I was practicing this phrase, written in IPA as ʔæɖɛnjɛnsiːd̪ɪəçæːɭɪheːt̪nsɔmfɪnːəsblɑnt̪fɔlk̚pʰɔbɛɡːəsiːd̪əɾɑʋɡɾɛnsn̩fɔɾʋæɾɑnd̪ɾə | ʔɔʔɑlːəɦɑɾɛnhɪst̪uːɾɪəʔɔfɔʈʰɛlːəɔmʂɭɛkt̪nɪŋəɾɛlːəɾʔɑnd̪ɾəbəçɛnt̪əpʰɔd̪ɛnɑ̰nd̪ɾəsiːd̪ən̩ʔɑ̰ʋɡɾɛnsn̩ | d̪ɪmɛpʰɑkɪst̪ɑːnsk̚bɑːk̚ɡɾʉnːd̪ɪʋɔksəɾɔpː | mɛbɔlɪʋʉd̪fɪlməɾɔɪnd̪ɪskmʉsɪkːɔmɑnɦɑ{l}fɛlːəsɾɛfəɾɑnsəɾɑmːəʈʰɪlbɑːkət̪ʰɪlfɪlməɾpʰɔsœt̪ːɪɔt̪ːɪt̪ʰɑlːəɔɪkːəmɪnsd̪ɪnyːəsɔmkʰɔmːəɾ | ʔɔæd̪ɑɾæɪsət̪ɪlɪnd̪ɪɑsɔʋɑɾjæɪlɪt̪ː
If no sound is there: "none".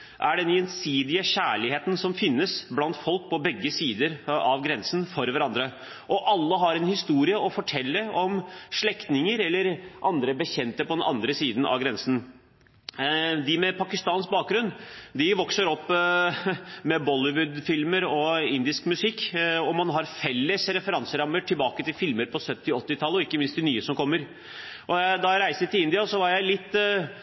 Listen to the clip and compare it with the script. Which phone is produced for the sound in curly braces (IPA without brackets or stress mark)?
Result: ɾ